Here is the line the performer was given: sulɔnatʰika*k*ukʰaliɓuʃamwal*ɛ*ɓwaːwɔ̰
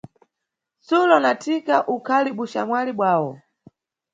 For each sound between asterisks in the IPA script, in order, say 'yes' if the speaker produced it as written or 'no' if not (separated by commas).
no, no